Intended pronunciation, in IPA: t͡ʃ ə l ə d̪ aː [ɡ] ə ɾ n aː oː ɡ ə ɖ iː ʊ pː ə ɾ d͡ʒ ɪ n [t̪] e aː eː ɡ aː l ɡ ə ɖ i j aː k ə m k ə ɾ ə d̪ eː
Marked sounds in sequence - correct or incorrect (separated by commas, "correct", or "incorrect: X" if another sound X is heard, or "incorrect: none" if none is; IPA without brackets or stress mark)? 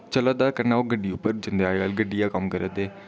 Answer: incorrect: k, incorrect: d̪